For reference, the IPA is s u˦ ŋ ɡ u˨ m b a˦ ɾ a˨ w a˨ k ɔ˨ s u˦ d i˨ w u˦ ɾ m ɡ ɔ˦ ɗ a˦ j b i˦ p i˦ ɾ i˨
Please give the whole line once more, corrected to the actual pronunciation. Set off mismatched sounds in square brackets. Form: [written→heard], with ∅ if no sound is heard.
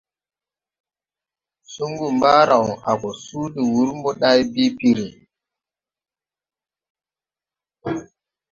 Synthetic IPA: s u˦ ŋ ɡ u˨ m b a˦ ɾ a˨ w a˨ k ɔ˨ s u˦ d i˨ w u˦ ɾ m [ɡ→b] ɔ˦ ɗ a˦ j b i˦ p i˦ ɾ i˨

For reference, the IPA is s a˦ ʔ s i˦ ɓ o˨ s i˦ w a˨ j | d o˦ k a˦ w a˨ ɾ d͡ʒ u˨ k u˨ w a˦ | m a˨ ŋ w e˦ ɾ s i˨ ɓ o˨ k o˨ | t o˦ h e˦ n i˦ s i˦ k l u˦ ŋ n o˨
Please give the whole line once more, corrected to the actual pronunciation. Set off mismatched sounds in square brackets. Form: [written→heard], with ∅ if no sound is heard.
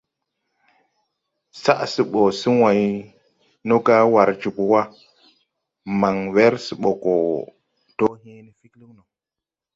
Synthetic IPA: s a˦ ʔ s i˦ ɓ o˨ s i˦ w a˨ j | [d→n] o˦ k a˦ w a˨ ɾ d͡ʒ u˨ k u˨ w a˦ | m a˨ ŋ w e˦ ɾ s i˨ ɓ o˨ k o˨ | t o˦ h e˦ n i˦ [s→f] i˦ k l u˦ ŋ n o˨

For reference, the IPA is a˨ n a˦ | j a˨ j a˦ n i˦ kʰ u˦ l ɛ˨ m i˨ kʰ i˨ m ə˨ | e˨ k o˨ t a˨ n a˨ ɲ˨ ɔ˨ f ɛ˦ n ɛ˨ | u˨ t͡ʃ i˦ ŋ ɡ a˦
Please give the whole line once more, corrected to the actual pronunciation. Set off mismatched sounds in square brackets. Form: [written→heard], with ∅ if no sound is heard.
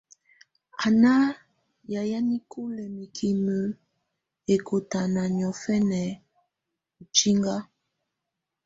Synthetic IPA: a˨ n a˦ | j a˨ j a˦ n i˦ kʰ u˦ l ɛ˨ m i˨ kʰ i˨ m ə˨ | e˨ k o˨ t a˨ n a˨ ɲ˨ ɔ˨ f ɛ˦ n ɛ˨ | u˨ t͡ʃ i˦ ŋ ɡ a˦

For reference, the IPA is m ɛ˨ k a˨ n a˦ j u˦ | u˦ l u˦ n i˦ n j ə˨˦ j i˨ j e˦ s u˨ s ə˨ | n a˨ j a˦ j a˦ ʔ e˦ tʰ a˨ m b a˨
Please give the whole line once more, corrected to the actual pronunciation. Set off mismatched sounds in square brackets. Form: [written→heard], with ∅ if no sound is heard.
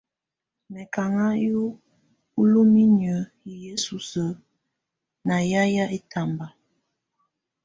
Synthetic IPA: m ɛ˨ k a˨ [n→ŋ] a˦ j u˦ | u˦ l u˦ [n→m] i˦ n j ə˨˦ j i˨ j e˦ s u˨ s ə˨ | n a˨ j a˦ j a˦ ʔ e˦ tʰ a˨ m b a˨

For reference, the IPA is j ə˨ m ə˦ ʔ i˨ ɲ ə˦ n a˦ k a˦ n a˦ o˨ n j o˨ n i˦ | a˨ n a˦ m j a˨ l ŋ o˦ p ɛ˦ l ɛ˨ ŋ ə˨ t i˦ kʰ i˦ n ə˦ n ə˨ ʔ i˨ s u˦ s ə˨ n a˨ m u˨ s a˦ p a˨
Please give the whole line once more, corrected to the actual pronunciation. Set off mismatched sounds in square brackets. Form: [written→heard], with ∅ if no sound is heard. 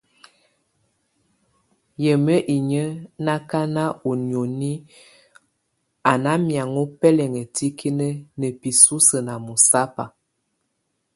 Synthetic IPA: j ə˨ m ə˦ ʔ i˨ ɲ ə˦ n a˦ k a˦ n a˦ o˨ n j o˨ n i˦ | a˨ n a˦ m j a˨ [l→∅] ŋ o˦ p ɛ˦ l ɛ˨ ŋ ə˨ t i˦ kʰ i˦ n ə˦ n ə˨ [ʔ→p] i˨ s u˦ s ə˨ n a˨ m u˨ s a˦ p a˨

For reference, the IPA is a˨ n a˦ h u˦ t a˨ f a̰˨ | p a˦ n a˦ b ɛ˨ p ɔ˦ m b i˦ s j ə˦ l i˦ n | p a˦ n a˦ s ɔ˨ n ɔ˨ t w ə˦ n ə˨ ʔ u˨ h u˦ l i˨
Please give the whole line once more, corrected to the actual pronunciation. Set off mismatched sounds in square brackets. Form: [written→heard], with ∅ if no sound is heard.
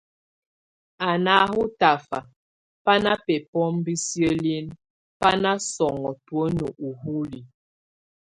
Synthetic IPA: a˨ n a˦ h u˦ t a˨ f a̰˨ | p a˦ n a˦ [b→p] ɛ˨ p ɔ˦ m b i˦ s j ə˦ l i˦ n | p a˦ n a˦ s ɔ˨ [n→ŋ] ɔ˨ t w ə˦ n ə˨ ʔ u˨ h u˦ l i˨

